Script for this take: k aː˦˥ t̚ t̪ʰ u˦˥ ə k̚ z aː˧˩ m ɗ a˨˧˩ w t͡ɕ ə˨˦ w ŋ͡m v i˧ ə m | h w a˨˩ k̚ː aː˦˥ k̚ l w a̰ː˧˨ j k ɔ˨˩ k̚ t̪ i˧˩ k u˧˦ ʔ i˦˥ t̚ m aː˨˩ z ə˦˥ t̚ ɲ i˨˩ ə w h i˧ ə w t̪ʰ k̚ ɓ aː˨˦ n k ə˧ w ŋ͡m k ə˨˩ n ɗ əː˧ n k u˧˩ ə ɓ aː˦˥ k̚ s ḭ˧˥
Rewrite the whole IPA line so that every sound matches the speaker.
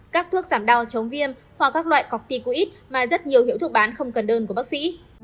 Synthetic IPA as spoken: k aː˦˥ k̚ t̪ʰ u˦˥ ə k̚ z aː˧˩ m ɗ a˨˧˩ w t͡ɕ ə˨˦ w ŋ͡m v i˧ ə m | h w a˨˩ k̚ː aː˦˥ k̚ l w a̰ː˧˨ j k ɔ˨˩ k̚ t̪ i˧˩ k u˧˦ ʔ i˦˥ t̚ m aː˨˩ z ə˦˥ t̚ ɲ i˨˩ ə w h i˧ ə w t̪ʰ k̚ ɓ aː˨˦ n x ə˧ w ŋ͡m k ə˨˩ n ɗ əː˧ n k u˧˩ ə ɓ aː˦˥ k̚ s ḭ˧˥